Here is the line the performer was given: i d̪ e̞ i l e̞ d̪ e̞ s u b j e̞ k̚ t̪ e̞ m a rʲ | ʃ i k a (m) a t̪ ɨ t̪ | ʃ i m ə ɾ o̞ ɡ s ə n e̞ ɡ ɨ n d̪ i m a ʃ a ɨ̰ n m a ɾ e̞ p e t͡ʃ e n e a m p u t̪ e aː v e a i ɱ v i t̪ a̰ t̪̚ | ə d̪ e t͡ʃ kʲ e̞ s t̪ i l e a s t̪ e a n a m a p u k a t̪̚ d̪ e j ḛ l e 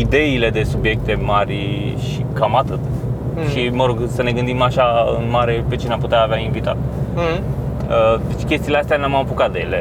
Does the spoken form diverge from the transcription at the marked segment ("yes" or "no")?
no